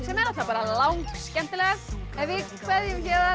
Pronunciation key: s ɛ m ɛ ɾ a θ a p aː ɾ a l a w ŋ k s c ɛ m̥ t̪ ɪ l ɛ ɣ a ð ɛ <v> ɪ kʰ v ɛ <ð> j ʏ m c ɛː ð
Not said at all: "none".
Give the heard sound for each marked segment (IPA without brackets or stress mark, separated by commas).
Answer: v, ð